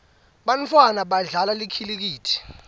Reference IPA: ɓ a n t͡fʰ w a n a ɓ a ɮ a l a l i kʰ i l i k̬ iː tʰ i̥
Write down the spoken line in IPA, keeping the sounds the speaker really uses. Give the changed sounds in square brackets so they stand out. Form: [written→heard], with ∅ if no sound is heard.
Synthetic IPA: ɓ a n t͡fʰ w a n a ɓ a ɮ a l a l i kʰ i l i k̬ iː tʰ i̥